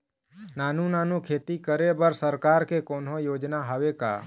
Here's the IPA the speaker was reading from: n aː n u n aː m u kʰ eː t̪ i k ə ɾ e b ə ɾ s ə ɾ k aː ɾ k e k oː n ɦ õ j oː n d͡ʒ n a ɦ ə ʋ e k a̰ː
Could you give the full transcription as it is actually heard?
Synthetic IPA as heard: n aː n u n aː n u kʰ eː t̪ i k ə ɾ e b ə ɾ s ə ɾ k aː ɾ k e k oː n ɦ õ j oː d͡ʒ n a ɦ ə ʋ e k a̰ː